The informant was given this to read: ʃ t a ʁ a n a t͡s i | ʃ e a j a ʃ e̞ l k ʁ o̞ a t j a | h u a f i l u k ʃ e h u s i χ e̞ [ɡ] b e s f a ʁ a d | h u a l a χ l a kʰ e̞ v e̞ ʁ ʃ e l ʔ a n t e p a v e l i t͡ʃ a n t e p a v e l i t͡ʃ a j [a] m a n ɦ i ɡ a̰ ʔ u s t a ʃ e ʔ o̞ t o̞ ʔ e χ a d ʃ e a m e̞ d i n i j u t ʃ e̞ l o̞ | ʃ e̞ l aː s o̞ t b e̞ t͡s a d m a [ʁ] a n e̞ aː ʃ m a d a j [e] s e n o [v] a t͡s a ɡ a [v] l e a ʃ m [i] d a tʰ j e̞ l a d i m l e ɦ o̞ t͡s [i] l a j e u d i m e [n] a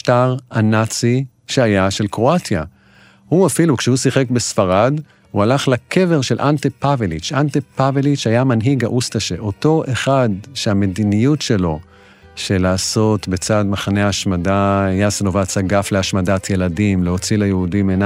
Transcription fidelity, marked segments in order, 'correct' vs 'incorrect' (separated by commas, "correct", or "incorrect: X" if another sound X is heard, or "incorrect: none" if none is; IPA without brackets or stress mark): incorrect: k, correct, incorrect: χ, incorrect: a, correct, incorrect: f, incorrect: a, correct, correct